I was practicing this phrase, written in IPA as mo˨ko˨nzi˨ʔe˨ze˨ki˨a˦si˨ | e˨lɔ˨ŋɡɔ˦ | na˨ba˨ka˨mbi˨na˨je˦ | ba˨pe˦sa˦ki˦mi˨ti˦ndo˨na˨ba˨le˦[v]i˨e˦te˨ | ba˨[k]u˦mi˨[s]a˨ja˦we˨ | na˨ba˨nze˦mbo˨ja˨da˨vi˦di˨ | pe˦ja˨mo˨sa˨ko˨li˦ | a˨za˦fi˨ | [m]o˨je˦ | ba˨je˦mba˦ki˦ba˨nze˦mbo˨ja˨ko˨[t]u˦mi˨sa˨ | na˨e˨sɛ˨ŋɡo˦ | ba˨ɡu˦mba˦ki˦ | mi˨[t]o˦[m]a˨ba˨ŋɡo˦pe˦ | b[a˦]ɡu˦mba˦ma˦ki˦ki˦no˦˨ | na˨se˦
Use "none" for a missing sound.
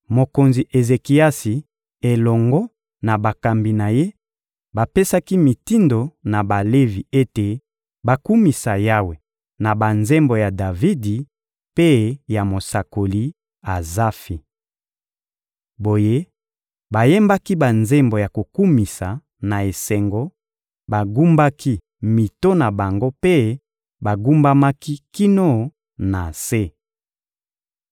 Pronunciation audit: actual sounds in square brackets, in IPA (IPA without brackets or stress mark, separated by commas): v, k, s, b, k, t, n, a˨